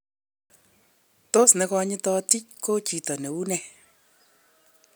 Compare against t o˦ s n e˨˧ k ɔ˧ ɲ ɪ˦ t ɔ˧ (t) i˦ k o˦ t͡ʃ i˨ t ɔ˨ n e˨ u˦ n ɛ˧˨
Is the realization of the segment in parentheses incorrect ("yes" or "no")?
no